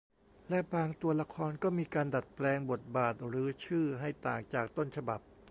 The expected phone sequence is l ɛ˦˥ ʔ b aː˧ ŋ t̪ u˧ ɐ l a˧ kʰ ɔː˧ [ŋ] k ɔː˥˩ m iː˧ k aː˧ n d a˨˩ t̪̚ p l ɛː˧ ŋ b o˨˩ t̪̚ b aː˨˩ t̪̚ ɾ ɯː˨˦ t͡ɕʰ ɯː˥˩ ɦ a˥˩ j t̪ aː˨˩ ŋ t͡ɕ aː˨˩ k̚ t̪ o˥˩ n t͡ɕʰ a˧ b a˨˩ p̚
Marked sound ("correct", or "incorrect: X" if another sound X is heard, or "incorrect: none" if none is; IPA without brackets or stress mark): incorrect: n